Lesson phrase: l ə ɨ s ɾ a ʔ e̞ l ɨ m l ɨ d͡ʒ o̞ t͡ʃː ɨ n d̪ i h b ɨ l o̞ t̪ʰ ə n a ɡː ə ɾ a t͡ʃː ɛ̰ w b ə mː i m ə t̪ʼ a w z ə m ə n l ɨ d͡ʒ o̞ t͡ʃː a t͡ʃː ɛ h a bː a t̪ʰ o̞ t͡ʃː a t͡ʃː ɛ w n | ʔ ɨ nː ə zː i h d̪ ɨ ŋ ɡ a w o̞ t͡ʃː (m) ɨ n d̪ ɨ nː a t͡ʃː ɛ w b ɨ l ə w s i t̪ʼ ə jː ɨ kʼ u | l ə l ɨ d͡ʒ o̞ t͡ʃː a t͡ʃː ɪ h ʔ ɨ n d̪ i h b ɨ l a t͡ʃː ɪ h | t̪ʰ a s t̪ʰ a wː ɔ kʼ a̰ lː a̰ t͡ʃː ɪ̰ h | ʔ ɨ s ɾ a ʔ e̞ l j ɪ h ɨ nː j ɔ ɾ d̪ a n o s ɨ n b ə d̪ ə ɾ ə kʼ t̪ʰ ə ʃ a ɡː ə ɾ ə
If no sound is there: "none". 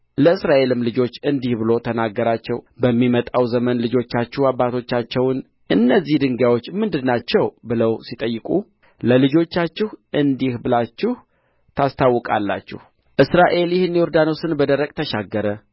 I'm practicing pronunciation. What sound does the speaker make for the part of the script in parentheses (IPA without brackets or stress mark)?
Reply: m